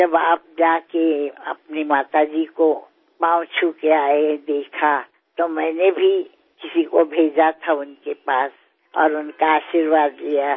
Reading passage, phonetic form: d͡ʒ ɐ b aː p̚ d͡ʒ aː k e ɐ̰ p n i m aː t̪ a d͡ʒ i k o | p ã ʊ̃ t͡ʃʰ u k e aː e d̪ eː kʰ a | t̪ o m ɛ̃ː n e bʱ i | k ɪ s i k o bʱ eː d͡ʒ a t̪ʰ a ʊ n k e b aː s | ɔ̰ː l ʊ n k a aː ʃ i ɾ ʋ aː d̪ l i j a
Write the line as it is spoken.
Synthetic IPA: d͡ʒ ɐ b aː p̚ d͡ʒ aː k e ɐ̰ p n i m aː t̪ a d͡ʒ i k o | p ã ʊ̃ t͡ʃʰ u k e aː e d̪ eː kʰ a | t̪ o m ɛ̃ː n e bʱ i | k ɪ s i k o bʱ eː d͡ʒ a t̪ʰ a ʊ n k e p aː s | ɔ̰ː ɾ ʊ n k a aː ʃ i ɾ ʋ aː d̪ l i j a